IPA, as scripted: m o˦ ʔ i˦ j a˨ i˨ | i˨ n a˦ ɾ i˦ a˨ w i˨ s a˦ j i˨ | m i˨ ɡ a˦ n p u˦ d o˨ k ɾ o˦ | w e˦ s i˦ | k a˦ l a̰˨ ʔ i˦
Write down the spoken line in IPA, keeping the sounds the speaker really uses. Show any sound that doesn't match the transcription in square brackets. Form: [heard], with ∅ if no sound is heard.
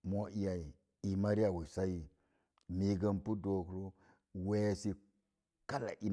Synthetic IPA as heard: m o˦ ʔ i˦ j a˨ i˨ | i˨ [m] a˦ ɾ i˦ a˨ w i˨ s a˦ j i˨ | m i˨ ɡ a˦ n p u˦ d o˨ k ɾ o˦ | w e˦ s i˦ | k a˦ l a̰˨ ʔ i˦